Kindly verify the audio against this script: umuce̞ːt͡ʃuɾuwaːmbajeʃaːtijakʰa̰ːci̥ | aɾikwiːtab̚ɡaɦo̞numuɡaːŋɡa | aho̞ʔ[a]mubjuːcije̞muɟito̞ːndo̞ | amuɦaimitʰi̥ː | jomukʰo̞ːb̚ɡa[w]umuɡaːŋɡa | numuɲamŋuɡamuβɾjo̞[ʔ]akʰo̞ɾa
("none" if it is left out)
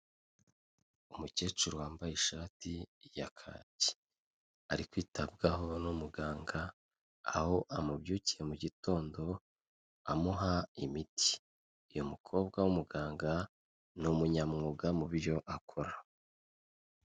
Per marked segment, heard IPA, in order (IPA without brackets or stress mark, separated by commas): a, w, ʔ